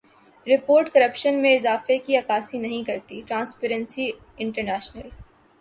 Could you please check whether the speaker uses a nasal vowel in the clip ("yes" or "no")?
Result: yes